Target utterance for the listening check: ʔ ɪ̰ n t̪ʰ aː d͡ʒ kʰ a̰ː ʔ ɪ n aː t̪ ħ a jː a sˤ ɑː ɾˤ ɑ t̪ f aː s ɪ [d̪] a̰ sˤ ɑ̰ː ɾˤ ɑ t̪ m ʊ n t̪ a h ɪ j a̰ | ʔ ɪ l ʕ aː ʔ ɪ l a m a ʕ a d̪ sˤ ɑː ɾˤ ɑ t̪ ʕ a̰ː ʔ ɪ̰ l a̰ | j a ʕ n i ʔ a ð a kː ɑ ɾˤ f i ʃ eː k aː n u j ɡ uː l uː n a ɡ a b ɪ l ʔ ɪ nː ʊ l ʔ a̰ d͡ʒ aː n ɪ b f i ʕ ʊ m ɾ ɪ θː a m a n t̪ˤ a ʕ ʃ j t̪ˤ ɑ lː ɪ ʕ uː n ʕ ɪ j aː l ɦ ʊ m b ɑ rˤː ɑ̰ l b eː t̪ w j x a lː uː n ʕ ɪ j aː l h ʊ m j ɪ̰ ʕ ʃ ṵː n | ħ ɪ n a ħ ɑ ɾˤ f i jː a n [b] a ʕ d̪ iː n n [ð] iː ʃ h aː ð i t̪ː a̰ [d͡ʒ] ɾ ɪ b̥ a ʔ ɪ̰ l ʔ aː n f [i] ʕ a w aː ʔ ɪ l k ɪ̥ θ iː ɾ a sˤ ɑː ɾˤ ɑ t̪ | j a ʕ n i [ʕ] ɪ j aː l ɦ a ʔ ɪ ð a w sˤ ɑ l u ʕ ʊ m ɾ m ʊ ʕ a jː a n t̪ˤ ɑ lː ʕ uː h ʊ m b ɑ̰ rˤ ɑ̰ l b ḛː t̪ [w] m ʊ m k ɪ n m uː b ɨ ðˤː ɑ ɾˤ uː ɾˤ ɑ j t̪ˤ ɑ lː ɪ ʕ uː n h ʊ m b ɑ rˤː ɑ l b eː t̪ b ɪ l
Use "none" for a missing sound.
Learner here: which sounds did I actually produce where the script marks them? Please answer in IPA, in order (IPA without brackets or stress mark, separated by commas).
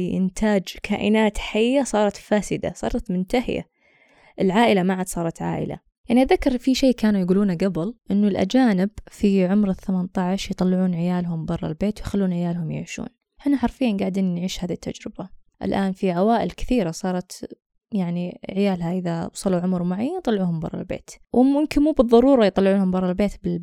d̪, ɡ, ʕ, d͡ʒ, i, ʕ, w